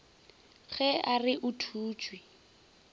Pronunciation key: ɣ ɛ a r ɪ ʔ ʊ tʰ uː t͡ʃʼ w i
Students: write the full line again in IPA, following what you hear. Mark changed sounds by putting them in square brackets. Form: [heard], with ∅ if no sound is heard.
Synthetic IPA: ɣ ɛ a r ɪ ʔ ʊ tʰ uː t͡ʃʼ w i